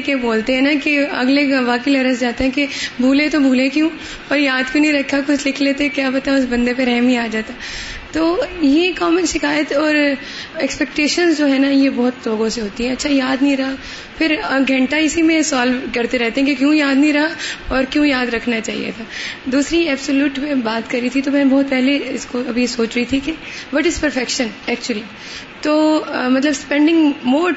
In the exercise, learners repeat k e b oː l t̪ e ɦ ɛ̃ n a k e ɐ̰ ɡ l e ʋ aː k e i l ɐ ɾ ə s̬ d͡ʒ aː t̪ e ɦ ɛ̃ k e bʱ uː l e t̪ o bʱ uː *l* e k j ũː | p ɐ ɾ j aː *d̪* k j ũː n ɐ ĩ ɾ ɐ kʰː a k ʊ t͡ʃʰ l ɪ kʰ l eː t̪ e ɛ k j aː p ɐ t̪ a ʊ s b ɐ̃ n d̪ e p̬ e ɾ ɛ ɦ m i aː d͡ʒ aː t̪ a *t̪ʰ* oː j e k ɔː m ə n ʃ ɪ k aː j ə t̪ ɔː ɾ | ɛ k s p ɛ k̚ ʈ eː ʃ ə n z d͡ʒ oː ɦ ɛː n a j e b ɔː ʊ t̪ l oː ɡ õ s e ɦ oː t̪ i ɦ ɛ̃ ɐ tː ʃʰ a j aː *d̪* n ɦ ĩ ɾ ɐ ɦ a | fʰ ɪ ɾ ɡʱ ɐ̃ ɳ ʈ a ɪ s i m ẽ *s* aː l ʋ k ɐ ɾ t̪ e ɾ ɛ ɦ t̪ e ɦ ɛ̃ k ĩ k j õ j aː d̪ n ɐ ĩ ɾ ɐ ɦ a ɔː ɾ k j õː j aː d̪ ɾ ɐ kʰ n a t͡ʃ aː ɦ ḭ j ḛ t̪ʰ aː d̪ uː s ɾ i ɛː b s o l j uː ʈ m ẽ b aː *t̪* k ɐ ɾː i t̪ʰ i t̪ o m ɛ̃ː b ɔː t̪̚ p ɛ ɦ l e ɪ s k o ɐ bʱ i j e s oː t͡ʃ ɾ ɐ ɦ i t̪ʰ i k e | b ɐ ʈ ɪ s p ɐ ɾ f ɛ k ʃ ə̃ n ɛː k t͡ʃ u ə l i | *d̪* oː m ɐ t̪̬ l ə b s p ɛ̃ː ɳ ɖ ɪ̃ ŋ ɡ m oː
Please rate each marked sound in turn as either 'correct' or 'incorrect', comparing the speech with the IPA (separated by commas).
correct, correct, incorrect, correct, correct, correct, incorrect